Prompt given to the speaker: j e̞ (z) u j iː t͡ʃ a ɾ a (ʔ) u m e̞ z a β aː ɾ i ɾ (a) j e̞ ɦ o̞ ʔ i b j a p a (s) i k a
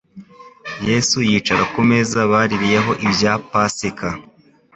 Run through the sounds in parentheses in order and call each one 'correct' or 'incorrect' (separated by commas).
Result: incorrect, incorrect, incorrect, correct